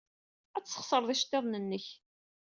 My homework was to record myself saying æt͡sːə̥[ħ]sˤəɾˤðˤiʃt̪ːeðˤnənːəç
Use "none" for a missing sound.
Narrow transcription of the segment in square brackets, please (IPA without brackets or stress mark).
χ